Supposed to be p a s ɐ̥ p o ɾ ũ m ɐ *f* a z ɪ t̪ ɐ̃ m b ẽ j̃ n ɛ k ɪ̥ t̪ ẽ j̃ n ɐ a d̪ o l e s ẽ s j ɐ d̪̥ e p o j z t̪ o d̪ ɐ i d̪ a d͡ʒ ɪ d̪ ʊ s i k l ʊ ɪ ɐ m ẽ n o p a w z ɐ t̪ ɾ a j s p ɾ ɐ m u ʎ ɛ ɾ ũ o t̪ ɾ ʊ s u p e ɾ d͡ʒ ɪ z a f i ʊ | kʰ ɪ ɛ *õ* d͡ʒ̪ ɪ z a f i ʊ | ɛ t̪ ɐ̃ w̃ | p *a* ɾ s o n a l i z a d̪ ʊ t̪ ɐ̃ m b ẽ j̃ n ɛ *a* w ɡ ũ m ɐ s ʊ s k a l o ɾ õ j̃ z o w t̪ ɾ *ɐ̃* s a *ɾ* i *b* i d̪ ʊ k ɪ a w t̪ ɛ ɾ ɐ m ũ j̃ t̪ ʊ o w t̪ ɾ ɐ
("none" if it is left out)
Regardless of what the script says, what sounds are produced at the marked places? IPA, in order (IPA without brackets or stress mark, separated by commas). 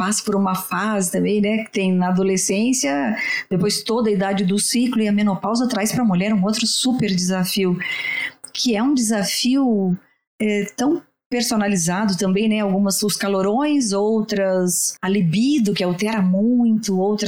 f, ũ, e, a, ɐ, l, b